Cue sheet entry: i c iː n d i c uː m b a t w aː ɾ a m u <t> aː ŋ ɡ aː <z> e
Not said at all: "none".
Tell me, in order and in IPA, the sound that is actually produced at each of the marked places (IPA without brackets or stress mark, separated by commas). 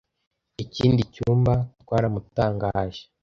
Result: t, ʒ